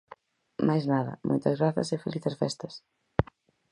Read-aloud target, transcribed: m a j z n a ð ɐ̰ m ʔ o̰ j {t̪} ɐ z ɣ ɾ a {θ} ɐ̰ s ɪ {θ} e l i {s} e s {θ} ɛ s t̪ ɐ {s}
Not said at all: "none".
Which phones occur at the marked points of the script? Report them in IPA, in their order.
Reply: t̪, θ, f, θ, f, s

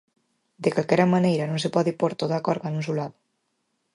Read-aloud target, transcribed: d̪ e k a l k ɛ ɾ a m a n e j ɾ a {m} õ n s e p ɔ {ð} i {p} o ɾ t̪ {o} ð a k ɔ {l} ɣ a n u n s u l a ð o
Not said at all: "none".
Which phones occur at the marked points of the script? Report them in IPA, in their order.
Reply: n, ð, p, o, ɾ

